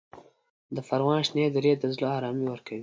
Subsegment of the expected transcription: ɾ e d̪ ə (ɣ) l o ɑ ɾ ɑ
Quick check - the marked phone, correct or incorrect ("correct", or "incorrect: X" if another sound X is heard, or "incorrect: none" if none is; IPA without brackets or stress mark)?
incorrect: z